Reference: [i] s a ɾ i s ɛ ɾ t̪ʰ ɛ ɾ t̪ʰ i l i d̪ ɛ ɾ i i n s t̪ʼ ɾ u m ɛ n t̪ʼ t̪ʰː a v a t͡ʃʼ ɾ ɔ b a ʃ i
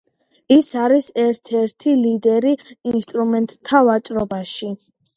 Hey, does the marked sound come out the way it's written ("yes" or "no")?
yes